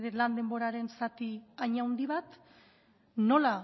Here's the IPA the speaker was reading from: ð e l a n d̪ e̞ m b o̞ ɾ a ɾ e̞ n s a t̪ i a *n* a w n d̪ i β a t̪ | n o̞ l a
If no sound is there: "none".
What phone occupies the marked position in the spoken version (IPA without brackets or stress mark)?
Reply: ɲ